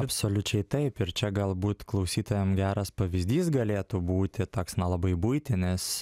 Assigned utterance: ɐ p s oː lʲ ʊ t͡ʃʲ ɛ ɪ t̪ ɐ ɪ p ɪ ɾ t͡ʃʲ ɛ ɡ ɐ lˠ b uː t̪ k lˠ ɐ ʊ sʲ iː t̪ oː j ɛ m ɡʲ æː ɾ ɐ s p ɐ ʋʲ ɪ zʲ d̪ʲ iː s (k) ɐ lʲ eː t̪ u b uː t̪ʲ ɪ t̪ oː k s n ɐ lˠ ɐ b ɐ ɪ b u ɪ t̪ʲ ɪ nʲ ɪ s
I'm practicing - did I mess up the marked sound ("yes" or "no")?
yes